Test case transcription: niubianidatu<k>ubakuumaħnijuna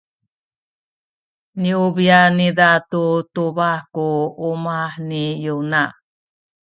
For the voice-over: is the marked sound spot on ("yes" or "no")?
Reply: no